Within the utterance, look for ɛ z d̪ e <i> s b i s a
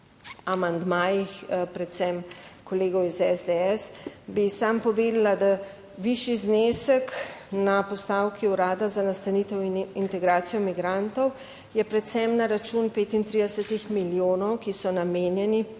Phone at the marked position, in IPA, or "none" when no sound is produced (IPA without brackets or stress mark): ɛ